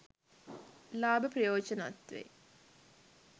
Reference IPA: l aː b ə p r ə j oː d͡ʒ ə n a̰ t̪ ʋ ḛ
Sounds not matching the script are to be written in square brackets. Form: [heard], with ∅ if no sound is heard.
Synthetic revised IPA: l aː b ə p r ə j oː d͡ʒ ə n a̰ t̪ ʋ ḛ